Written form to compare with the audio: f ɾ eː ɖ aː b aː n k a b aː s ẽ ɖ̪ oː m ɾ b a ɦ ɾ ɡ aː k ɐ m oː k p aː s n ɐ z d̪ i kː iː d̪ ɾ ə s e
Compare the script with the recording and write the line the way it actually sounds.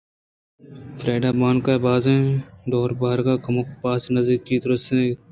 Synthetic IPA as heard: f ɾ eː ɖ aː b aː n k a b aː z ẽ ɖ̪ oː ɾ b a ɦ ɾ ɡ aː k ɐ m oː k p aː s n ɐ z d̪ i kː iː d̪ ɾ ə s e